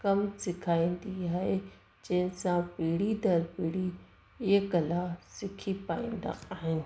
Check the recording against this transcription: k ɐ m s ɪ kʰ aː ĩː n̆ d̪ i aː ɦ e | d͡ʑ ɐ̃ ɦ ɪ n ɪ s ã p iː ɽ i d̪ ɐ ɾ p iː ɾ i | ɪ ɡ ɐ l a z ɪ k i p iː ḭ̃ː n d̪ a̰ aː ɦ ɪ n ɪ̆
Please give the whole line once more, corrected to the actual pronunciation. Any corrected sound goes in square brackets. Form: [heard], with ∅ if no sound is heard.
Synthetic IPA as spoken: k ɐ m s ɪ kʰ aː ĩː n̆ d̪ i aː ɦ e | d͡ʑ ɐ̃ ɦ ɪ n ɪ s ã p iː ɽ i d̪ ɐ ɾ p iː [ɽ] i | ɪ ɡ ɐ l a [s] ɪ [kʰ] i p [aː] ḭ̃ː n d̪ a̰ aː ɦ ɪ n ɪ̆